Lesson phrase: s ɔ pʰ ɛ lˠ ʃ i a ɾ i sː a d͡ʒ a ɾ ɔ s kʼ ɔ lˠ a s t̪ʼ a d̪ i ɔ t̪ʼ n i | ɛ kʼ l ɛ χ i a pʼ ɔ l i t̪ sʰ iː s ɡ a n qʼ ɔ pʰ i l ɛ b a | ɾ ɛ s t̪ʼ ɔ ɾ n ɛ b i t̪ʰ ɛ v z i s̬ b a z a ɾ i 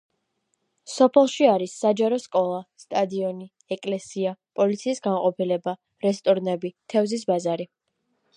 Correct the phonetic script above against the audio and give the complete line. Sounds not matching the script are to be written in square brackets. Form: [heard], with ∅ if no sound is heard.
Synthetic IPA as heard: s ɔ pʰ ɛ lˠ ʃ i a ɾ i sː a d͡ʒ a ɾ ɔ s kʼ ɔ lˠ a s t̪ʼ a d̪ i ɔ [∅] n i | ɛ kʼ l ɛ [s] i a pʼ ɔ l i t̪ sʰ iː s ɡ a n qʼ ɔ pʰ i l ɛ b a | ɾ ɛ s t̪ʼ ɔ ɾ n ɛ b i t̪ʰ ɛ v z i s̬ b a z a ɾ i